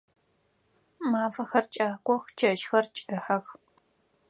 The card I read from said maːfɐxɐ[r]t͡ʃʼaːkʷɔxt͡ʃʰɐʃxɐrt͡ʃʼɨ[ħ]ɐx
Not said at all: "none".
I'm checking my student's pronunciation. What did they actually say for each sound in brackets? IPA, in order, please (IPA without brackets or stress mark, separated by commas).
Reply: r, ħ